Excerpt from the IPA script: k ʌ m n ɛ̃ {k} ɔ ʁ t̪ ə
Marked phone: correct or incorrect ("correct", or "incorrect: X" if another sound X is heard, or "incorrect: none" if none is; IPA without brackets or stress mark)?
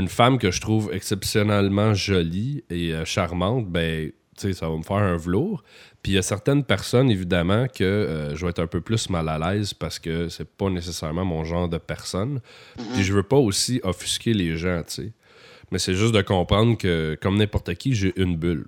incorrect: p